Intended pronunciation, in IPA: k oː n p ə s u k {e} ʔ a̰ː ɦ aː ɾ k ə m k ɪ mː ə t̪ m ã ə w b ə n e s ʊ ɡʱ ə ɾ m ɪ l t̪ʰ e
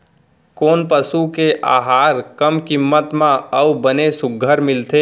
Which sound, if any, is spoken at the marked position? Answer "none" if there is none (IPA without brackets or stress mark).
e